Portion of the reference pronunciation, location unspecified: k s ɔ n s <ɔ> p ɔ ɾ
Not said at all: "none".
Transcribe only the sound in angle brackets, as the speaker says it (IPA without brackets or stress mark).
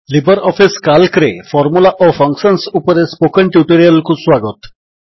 u